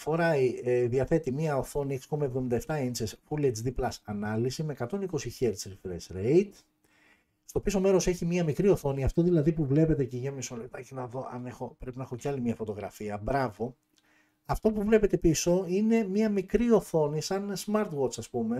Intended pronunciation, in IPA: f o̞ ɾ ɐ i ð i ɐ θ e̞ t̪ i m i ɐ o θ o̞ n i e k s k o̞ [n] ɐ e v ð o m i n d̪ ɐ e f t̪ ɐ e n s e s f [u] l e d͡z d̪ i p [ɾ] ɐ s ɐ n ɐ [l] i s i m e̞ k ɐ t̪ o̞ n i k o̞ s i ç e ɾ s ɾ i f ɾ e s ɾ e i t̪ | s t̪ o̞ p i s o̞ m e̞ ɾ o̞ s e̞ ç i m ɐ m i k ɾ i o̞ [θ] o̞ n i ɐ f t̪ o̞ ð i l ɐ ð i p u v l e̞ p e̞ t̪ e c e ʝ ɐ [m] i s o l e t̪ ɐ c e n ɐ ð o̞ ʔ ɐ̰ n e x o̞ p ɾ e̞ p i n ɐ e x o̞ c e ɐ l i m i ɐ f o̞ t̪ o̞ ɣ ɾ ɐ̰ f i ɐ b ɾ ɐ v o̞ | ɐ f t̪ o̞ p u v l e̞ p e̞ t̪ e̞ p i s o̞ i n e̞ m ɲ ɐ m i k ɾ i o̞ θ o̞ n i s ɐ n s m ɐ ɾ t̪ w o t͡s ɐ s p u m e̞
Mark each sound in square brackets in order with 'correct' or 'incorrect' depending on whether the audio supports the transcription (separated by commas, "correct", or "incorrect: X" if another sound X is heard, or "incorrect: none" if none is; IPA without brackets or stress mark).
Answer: incorrect: m, correct, incorrect: l, correct, correct, correct